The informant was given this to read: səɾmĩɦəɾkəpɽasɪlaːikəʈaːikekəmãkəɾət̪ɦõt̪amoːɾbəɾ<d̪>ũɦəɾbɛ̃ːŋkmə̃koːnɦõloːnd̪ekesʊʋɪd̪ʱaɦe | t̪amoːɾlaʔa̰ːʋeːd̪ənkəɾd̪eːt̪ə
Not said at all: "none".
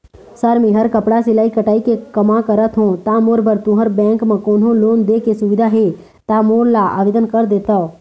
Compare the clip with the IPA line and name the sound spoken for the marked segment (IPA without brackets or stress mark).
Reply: t̪